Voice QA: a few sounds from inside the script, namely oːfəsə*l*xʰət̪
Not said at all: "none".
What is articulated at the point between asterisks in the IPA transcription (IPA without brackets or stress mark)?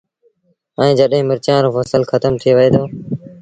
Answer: l